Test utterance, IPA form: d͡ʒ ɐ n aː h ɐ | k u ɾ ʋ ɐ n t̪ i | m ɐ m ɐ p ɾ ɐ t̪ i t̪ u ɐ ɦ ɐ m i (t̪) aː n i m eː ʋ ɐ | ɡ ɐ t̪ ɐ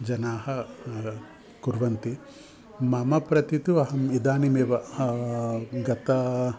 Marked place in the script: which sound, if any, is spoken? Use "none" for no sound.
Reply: d̪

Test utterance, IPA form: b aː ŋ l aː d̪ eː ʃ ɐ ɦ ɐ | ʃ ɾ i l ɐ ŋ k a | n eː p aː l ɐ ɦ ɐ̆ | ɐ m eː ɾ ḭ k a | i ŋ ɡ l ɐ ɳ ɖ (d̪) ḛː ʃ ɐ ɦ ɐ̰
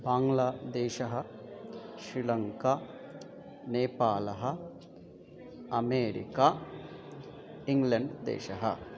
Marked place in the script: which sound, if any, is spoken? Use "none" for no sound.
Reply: d̪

